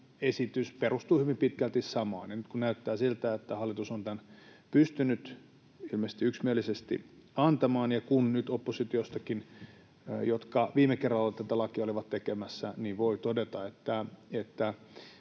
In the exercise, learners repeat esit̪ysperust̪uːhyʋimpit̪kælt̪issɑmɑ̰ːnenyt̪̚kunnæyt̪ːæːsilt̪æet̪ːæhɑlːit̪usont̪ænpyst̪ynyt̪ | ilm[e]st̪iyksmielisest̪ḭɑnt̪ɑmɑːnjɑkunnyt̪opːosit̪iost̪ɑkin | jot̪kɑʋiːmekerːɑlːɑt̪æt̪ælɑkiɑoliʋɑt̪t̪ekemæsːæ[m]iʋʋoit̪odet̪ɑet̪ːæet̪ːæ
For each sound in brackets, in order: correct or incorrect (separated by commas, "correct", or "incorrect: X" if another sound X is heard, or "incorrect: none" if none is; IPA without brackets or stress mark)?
correct, incorrect: n